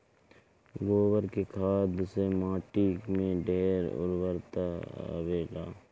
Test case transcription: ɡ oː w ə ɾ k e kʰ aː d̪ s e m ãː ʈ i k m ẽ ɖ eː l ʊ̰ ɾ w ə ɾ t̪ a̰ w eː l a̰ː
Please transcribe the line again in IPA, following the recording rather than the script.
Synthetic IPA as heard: ɡ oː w ə ɾ k e kʰ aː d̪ s e m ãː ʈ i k m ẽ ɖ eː ɾ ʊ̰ ɾ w ə ɾ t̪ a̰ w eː l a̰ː

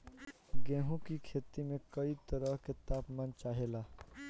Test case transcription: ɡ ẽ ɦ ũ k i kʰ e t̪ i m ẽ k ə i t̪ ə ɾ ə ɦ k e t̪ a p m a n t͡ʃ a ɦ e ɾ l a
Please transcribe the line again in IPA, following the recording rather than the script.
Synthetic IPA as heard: ɡ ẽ ɦ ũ k i kʰ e t̪ i m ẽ k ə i t̪ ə ɾ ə ɦ k e t̪ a p m a n t͡ʃ a ɦ e l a

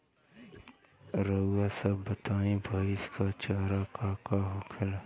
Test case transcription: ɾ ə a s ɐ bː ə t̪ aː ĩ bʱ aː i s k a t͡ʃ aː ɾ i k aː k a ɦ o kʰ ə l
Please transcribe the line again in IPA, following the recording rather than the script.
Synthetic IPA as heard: ɾ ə a s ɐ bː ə t̪ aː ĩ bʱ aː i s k a t͡ʃ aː ɾ a k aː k a ɦ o kʰ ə l

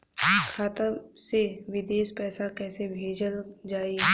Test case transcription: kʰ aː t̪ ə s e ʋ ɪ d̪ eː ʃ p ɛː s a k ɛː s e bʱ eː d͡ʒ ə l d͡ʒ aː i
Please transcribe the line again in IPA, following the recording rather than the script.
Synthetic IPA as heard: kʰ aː t̪ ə s e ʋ ɪ d̪ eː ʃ p ɛː s a k ɛː s e bʱ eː d͡ʒ ə l d͡ʒ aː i

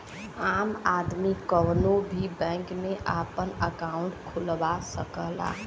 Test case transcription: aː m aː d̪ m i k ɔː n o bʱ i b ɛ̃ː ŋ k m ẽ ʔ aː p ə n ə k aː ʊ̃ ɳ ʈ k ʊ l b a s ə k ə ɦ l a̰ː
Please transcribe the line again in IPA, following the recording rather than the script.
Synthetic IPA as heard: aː m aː d̪ m i k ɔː n o bʱ i b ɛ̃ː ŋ k m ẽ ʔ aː p ə n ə k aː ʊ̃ ɳ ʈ kʰ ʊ l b a s ə k ə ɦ l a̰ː

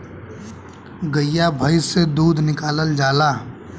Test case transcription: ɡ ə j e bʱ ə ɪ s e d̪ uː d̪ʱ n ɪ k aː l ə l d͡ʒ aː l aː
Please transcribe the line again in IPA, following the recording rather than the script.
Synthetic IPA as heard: ɡ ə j a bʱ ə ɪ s e d̪ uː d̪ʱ n ɪ k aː l ə l d͡ʒ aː l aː

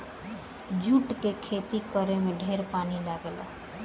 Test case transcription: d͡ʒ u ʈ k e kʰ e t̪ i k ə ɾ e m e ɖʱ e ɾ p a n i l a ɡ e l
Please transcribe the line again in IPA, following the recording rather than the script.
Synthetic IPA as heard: d͡ʒ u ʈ k e kʰ e t̪ i k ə ɾ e m e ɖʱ e ɾ p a n i l a ɡ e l

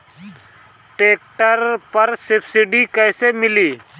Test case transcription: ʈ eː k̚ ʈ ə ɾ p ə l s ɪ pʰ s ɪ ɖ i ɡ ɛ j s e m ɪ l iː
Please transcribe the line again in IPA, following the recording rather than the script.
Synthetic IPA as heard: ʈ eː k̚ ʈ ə ɾ p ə ɾ s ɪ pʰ s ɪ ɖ i k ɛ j s e m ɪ l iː

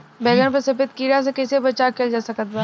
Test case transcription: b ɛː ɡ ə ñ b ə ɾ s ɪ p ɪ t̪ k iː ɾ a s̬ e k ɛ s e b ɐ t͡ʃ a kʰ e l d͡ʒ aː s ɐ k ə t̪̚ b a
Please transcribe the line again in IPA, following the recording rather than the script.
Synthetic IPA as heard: b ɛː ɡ ə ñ p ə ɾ s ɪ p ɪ t̪ k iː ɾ a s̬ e k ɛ s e b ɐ t͡ʃ a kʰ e l d͡ʒ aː s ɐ k ə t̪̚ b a

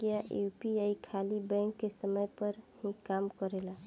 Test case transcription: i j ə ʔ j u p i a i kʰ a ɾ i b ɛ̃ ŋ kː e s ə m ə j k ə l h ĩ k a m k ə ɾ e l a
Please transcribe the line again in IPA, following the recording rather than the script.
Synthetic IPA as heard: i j a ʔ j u p i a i kʰ a l i b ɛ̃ ŋ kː e s ə m ə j p ə ɾ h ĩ k a m k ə ɾ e l a

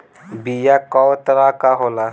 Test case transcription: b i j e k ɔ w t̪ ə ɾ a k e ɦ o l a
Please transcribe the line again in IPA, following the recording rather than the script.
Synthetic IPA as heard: b i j a k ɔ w t̪ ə ɾ a k a ɦ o l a

